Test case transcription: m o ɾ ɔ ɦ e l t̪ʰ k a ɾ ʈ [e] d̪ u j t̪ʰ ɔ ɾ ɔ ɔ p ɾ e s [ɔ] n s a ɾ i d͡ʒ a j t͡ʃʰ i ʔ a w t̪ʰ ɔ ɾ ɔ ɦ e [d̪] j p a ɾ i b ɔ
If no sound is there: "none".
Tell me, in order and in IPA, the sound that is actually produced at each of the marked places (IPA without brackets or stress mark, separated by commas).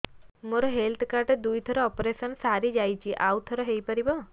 e, ɔ, none